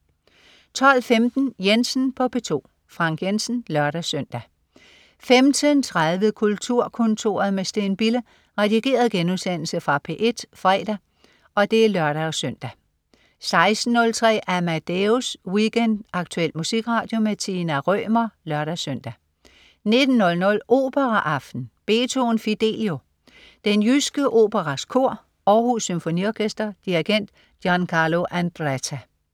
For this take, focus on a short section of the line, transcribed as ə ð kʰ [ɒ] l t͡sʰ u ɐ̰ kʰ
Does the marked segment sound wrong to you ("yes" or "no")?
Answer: yes